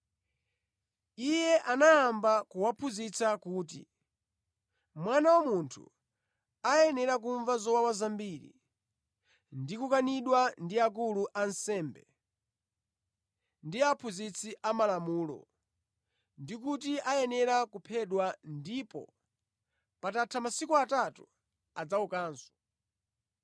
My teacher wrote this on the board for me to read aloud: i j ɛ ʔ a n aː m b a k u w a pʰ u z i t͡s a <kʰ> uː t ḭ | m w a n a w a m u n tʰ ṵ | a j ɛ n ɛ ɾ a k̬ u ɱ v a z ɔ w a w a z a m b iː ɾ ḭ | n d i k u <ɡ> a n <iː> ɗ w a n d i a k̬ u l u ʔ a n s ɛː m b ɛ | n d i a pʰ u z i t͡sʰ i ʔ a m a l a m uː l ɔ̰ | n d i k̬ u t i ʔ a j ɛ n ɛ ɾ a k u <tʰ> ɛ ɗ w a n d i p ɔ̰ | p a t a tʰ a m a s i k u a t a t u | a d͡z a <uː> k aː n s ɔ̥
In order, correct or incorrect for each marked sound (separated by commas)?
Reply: incorrect, incorrect, incorrect, incorrect, incorrect